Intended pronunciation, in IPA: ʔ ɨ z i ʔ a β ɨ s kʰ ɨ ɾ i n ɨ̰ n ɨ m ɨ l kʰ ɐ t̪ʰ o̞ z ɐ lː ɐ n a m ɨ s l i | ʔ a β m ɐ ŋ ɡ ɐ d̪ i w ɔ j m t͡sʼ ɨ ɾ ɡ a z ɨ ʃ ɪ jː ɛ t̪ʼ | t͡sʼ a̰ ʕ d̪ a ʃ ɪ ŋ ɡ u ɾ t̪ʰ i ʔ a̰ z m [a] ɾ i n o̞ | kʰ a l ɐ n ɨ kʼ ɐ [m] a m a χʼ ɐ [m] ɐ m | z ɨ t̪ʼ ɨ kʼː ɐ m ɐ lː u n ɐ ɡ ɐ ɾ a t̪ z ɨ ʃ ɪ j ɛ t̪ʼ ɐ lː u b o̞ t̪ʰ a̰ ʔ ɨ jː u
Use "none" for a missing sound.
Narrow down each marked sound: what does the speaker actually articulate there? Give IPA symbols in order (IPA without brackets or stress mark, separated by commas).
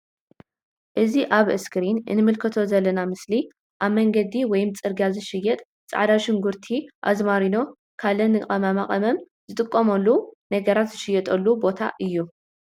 a, m, m